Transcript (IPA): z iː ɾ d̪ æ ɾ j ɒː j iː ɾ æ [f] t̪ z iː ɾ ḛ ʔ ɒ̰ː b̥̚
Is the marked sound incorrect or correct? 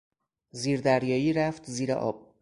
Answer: correct